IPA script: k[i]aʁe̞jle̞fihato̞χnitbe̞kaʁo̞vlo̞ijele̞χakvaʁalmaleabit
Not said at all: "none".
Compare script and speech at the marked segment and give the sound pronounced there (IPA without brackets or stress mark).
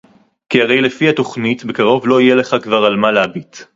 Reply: i